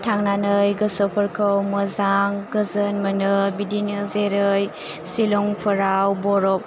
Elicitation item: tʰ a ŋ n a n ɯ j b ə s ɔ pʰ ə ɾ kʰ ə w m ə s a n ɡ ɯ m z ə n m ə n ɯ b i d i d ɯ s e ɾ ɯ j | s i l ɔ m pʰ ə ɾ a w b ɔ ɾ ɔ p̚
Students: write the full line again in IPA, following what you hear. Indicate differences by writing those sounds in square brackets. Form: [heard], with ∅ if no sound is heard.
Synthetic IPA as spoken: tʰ a ŋ n a n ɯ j [ɡ] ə s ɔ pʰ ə ɾ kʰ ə w m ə [z] a [ŋ] ɡ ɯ [∅] z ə n m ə n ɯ b i d i [n] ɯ [z] e ɾ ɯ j | s i l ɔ [ŋ] pʰ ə ɾ a w b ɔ ɾ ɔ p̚